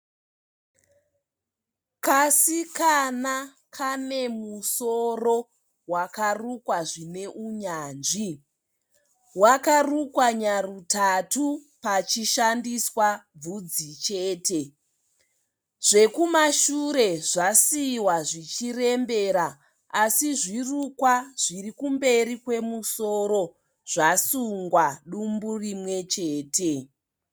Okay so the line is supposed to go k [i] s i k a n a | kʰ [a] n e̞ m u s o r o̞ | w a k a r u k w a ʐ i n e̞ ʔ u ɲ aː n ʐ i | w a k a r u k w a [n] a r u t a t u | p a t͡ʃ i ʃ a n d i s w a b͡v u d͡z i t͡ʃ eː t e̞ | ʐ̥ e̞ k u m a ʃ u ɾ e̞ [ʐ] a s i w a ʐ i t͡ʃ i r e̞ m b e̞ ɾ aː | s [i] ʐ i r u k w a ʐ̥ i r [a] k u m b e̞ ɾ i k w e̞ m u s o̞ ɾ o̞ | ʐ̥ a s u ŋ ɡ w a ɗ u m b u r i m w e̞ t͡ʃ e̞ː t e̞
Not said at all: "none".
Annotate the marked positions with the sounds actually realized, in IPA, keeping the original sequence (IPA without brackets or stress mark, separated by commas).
a, a, ɲ, ʐ, i, i